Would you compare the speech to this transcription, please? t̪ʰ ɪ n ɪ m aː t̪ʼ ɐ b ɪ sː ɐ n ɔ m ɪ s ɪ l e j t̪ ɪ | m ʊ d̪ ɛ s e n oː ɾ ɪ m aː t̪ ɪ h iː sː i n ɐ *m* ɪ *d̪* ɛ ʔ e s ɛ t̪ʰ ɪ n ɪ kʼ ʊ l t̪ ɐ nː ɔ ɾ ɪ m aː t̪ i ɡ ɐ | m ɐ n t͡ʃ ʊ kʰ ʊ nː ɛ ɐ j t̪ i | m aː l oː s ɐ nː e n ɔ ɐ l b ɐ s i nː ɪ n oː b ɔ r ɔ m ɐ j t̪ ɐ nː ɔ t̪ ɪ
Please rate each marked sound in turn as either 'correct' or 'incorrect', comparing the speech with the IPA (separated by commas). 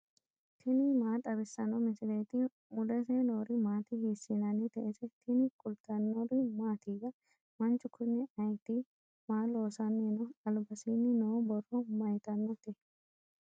incorrect, incorrect